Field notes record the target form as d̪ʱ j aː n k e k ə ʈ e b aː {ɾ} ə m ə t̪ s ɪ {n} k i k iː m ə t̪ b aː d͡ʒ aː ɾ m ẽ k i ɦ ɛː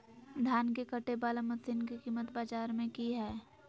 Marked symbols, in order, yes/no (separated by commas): no, yes